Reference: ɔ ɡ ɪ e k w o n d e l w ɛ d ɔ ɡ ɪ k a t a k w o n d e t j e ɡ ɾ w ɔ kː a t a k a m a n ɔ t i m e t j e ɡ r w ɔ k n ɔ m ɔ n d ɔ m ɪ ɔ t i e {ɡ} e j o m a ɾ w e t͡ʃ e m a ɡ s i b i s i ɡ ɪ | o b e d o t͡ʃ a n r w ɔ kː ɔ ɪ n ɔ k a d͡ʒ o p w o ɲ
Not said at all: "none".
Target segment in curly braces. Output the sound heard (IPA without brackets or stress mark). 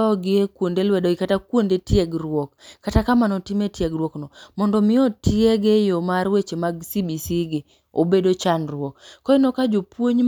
ɡ